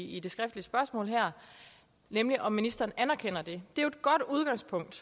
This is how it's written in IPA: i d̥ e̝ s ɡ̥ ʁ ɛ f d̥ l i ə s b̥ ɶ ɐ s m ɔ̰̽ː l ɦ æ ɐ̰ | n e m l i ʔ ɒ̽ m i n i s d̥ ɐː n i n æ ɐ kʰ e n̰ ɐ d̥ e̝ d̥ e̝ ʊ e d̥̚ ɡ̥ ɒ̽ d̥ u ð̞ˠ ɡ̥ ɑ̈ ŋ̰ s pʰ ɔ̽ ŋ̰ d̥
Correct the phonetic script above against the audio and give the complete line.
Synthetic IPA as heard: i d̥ e̝ s ɡ̥ ʁ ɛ f d̥ l i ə s b̥ ɶ ɐ s m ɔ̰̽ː l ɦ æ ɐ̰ | n e m l i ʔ ɒ̽ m i n i s d̥ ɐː n æ n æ ɐ kʰ e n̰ ɐ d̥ e̝ d̥ e̝ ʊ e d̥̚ ɡ̥ ɒ̽ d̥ u ð̞ˠ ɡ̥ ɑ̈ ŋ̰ s pʰ ɔ̽ ŋ̰ d̥